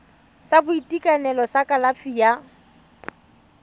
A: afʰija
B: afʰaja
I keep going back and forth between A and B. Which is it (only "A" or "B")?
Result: A